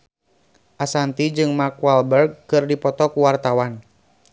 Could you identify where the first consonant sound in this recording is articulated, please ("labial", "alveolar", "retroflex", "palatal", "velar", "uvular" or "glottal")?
glottal